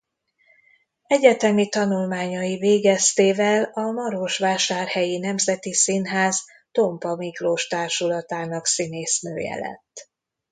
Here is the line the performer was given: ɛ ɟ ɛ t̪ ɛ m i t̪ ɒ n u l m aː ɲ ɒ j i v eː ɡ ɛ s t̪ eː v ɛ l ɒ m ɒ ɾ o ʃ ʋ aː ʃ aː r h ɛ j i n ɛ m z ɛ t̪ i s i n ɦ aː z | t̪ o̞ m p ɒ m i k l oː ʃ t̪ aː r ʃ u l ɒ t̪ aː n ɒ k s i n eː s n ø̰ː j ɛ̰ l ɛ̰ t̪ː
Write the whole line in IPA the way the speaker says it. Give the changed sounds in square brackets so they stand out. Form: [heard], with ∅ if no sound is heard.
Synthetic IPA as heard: ɛ ɟ ɛ t̪ ɛ m i t̪ ɒ n u l m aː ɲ ɒ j i v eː ɡ ɛ s t̪ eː v ɛ l ɒ m ɒ ɾ o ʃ ʋ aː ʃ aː r h ɛ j i n ɛ m z ɛ t̪ i s i n ɦ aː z | t̪ o̞ m p ɒ m i k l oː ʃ t̪ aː r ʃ u l ɒ t̪ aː n ɒ k s i n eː s n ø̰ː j ɛ̰ l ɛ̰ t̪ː